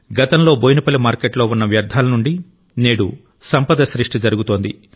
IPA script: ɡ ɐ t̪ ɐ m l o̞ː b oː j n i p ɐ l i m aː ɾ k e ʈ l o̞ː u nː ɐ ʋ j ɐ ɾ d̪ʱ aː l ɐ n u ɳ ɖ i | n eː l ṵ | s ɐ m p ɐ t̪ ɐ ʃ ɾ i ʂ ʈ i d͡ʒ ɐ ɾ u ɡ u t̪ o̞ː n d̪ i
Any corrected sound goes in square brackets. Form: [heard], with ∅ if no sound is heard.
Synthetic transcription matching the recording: ɡ ɐ t̪ ɐ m l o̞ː b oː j n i p ɐ l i m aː ɾ k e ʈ l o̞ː u nː ɐ ʋ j ɐ ɾ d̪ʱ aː l ɐ n u ɳ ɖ i | n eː [ɽ] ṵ | s ɐ m p ɐ [d̪] ɐ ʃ ɾ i ʂ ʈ i d͡ʒ ɐ ɾ u ɡ u t̪ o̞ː n d̪ i